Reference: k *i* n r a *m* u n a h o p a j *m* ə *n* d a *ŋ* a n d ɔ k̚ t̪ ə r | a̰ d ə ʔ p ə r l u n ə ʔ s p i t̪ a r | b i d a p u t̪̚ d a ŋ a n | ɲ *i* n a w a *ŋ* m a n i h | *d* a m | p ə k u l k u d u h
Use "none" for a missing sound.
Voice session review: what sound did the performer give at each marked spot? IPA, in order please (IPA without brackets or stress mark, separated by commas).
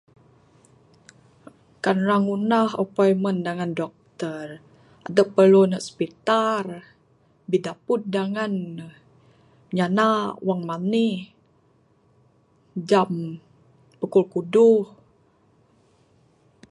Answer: a, ŋ, m, n, ŋ, a, ŋ, d͡ʒ